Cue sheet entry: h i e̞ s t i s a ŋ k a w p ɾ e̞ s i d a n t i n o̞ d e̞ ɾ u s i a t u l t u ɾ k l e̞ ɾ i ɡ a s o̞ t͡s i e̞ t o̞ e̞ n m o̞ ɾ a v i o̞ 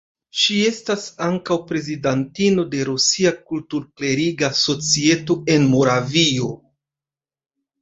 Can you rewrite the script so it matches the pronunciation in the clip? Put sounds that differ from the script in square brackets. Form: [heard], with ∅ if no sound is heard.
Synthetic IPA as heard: [ʃ] i e̞ s t [a] s a ŋ k a w p ɾ e̞ [z] i d a n t i n o̞ d e̞ ɾ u s i a [k] u l t u ɾ k l e̞ ɾ i ɡ a s o̞ t͡s i e̞ t o̞ e̞ n m o̞ ɾ a v i o̞